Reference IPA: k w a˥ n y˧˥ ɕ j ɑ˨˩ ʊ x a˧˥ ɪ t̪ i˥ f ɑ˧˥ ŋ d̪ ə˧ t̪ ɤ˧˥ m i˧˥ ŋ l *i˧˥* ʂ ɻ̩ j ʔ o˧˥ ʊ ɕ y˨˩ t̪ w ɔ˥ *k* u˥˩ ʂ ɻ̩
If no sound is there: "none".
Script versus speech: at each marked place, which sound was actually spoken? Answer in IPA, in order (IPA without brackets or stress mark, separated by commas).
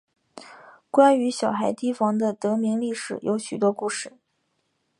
i˥˩, k